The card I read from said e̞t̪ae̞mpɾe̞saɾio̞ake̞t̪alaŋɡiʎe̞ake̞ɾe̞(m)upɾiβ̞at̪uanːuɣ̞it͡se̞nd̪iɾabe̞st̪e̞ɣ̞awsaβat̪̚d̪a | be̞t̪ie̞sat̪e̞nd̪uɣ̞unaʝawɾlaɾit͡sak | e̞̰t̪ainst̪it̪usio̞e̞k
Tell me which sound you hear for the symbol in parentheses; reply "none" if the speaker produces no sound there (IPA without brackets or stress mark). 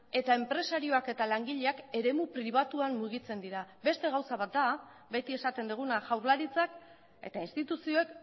m